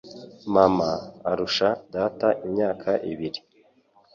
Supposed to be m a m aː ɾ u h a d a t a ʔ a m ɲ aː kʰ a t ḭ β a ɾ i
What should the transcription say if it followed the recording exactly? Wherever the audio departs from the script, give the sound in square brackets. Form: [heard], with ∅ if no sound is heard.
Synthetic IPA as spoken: m a m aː ɾ u [ʃ] a d a t a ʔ [i] m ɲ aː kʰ a [ʔ] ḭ β [i] ɾ i